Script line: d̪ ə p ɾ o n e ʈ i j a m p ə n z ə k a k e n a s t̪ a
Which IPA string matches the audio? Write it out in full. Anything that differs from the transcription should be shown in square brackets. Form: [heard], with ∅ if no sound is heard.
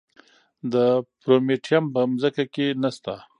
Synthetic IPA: d̪ ə p ɾ o [m] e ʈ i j a m p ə [m] z ə k a k e n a s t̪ a